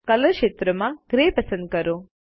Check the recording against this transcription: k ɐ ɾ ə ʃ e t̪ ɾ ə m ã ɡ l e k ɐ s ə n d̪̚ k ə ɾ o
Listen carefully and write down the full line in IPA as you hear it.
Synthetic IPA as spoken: k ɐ l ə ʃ e t̪ ɾ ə m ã ɡ ɾ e p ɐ s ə n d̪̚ k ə ɾ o

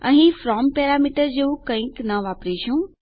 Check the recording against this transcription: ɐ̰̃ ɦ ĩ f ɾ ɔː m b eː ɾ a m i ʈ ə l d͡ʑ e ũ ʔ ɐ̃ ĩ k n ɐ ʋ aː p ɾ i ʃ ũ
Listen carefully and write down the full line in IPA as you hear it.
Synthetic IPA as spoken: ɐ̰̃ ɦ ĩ f ɾ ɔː m p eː ɾ a m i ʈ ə ɾ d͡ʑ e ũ k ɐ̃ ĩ k n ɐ ʋ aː p ɾ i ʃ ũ

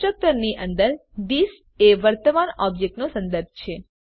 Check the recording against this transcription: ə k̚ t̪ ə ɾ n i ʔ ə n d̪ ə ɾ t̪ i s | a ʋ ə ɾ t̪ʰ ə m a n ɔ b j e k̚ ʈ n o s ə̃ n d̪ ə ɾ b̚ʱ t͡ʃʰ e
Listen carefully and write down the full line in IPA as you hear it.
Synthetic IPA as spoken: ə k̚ t̪ ə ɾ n i ʔ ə n d̪ ə ɾ d̪ i s | e ʋ ə ɾ t̪ ə m a n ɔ b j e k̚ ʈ n o s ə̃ n d̪ ə ɾ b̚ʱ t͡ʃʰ e

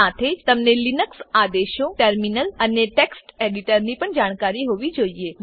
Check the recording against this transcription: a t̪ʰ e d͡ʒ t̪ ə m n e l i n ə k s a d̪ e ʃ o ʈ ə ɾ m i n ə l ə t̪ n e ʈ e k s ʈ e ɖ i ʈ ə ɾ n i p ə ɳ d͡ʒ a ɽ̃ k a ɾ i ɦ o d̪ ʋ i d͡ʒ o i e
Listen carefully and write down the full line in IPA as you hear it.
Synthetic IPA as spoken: a t̪ʰ e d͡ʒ t̪ ə m n e l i n ə k s a d̪ e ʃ o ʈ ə ɾ m i n ə l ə n e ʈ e k s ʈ e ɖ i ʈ ə ɾ n i p ə ɳ d͡ʒ a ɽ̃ k a ɾ i ɦ o ʋ i d͡ʒ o i e

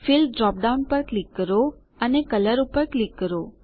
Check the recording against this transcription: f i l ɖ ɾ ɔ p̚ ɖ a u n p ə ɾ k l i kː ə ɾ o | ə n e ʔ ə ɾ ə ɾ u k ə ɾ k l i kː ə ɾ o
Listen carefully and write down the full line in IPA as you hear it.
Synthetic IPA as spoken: f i l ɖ ɾ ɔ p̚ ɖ a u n p ə ɾ k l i kː ə ɾ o | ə n e k ə l ə ɾ u p ə ɾ k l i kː ə ɾ o

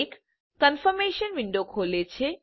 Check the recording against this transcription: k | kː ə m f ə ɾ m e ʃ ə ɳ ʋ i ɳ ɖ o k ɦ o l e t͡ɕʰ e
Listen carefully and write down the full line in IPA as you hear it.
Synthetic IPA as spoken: k | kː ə n f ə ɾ m e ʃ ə n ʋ i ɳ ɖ o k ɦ o l e t͡ɕʰ e

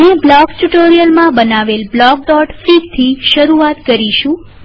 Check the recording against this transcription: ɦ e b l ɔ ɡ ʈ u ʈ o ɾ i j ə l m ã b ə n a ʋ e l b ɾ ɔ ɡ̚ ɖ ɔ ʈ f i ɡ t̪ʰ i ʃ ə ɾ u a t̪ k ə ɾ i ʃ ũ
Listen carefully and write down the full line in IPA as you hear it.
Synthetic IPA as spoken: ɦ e b l ɔ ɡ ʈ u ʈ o ɾ i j ə l m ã b ə n a ʋ e l b l ɔ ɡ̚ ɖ ɔ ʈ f i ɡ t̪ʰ i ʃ ə ɾ u a t̪ k ə ɾ i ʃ ũ

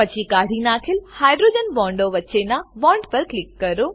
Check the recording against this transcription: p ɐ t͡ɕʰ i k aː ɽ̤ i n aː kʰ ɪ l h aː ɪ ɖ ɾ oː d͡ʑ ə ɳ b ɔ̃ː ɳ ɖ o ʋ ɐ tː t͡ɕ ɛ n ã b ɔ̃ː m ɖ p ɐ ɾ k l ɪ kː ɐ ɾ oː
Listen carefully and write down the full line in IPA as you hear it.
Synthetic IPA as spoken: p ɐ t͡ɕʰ i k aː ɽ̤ i n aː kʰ ɪ l h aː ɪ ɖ ɾ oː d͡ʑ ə n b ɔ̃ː ɳ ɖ o ʋ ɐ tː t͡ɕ e n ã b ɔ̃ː ɳ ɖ p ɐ ɾ k l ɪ kː ɐ ɾ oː

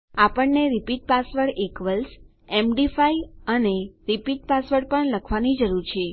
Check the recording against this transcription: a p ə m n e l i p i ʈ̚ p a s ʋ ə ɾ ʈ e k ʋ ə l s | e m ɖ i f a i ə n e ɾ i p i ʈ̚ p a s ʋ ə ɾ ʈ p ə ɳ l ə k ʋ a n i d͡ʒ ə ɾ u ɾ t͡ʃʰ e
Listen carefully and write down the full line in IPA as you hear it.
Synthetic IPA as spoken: a p ə ɳ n e ɾ i p i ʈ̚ p a s ʋ ə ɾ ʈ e k ʋ ə l s | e m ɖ i f a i ə n e ɾ i p i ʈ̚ p a s ʋ ə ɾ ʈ p ə ɳ l ə kʰ ʋ a n i d͡ʒ ə ɾ u ɾ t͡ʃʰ e

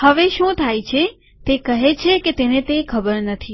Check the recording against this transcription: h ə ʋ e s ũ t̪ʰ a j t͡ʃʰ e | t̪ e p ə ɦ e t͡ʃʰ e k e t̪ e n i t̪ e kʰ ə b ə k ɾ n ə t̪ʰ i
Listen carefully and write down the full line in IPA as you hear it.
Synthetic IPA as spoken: h ə ʋ e ʃ ũ t̪ʰ a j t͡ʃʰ e | t̪ e k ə ɦ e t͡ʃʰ e k e t̪ e n e t̪ e kʰ ə b ə ɾ n ə t̪ʰ i

